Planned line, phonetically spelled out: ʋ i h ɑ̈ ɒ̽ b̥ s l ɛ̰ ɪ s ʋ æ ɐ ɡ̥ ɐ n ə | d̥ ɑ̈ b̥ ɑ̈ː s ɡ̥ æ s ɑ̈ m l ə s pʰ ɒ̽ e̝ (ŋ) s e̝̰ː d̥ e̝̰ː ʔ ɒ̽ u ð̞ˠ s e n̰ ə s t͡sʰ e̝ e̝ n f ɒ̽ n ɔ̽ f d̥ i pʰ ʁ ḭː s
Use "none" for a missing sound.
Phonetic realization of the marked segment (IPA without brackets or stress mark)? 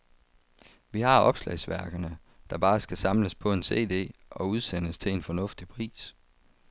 n